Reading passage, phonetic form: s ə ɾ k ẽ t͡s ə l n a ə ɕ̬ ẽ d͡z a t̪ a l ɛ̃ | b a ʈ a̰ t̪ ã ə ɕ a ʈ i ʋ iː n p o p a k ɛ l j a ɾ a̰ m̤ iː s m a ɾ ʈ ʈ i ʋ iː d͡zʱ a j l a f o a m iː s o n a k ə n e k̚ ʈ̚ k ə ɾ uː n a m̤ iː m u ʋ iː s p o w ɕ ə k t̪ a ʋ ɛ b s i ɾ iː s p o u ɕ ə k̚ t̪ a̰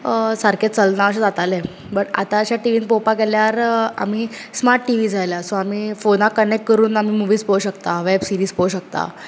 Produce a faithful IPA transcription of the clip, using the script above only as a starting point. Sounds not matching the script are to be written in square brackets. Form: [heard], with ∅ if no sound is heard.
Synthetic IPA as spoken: s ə ɾ k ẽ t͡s ə l n a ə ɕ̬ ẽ d͡z a t̪ a l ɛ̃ | b [ə] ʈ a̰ t̪ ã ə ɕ a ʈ i ʋ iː n p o p a k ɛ l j a ɾ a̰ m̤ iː s m a ɾ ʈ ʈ i ʋ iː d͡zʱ a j l a [s] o a m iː [f] o n a k ə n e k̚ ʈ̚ k ə ɾ uː n a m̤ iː m u ʋ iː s p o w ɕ ə k t̪ a ʋ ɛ b s i ɾ iː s p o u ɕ ə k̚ t̪ a̰